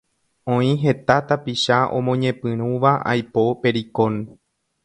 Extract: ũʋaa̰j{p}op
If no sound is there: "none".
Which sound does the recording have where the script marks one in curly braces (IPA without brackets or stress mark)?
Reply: p